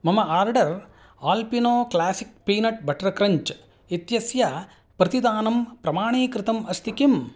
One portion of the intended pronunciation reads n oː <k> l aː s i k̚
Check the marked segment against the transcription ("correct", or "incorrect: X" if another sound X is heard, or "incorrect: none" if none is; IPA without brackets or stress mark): correct